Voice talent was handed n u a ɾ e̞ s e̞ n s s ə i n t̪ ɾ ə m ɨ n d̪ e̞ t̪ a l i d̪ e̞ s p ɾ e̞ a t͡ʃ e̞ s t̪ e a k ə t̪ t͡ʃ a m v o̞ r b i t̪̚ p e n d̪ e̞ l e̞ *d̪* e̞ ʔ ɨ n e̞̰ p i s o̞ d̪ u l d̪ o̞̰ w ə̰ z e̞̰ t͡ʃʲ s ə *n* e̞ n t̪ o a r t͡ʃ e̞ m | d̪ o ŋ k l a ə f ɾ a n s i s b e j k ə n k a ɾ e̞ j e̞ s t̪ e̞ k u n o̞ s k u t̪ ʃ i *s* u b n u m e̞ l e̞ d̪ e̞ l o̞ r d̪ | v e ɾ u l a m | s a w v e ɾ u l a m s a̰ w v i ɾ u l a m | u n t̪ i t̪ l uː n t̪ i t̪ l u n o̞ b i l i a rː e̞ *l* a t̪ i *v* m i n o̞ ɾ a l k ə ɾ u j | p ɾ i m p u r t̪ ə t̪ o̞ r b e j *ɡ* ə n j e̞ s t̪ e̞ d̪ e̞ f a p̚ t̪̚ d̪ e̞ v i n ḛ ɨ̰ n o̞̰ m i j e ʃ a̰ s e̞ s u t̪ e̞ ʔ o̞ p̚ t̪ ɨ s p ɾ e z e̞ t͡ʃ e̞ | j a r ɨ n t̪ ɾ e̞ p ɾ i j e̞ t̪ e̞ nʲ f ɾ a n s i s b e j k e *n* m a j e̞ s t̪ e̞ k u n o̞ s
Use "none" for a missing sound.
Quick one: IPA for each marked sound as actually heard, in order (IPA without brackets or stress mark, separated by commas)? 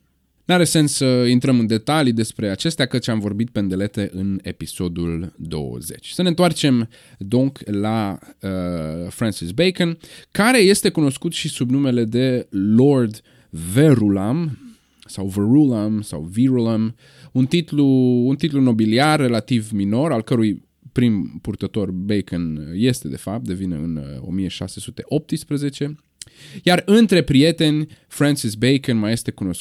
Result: t̪, n, s, l, v, k, n